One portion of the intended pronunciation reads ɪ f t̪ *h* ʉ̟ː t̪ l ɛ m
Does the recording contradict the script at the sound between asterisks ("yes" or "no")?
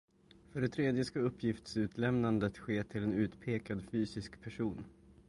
yes